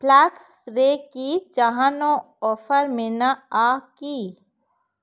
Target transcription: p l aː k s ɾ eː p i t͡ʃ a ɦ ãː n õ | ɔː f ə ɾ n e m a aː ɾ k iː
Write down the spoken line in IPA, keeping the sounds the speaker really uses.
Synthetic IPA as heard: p l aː k s ɾ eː k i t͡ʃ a ɦ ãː n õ | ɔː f ə ɾ m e n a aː k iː